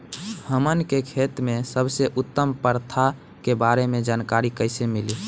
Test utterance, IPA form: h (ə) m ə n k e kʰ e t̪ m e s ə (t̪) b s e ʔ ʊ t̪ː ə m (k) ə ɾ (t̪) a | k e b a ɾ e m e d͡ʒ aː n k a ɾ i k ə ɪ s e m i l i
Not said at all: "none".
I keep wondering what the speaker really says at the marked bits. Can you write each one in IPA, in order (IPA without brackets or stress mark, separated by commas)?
ə, none, p, t̪ʰ